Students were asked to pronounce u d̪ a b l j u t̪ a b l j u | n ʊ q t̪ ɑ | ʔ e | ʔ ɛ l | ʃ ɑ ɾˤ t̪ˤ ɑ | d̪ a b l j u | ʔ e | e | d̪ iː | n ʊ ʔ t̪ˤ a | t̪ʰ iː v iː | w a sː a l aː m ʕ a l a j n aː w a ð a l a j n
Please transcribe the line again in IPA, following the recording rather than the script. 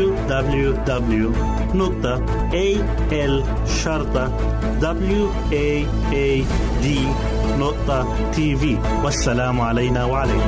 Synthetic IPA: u d̪ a b l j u d̪ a b l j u | n ʊ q t̪ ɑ | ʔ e | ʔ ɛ l | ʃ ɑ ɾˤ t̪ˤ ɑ | d̪ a b l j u | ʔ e | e | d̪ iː | n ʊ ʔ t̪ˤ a | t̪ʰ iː v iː | w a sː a l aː m ʕ a l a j n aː w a ʕ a l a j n